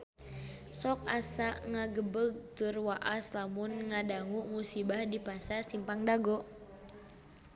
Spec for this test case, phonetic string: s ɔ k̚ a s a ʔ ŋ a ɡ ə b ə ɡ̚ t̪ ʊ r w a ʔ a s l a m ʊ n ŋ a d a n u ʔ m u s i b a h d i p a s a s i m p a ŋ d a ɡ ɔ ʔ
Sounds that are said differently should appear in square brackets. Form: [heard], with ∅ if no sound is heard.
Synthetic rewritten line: s ɔ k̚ a s a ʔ ŋ a ɡ ə b ə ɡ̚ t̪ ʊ r w a ʔ a s l a m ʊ n ŋ a d a [ŋ] u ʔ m u s i b a h d i p a s a s i m p a ŋ d a ɡ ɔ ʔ